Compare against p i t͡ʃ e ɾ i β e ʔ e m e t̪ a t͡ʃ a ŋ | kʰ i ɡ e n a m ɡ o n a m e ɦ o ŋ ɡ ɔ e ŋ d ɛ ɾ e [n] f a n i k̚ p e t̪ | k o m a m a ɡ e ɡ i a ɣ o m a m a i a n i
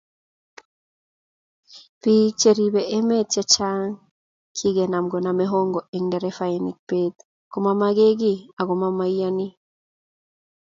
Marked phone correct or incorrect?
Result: incorrect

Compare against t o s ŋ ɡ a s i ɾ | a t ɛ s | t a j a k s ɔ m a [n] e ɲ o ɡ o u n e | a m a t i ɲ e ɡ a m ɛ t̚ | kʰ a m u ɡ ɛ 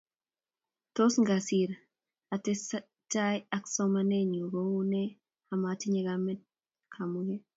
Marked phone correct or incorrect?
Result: correct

